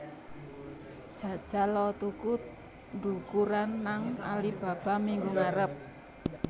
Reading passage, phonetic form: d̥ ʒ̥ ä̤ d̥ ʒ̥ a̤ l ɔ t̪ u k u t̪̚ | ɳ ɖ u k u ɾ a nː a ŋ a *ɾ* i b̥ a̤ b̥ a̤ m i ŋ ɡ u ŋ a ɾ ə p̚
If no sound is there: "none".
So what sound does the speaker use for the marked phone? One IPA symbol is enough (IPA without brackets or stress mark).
l